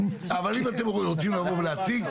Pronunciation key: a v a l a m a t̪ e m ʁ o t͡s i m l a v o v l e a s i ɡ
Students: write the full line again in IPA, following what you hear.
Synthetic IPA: a v a l i m a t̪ e m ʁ o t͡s i m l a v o v l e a t͡s i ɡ